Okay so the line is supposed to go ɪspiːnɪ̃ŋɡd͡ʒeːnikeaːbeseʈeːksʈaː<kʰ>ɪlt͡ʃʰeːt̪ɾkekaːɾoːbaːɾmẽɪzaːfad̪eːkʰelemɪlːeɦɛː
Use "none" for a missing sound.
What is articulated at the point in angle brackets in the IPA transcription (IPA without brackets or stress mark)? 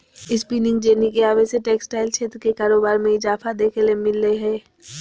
none